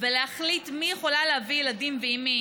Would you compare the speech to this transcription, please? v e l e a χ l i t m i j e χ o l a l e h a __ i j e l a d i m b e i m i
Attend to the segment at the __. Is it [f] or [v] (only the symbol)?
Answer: v